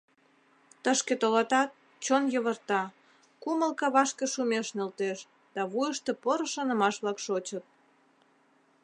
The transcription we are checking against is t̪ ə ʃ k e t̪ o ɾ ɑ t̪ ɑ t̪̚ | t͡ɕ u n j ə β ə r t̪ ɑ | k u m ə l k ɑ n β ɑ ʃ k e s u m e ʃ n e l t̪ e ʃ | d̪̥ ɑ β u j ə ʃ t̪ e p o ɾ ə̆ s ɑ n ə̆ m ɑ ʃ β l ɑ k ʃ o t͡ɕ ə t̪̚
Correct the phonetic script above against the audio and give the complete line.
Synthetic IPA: t̪ ə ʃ k e t̪ o l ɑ t̪ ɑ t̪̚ | t͡ɕ o n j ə β ə r t̪ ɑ | k u m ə l k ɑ β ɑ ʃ k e ʃ u m e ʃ n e l t̪ e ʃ | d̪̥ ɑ β u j ə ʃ t̪ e p o ɾ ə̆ ʃ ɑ n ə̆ m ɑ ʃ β l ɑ k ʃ o t͡ɕ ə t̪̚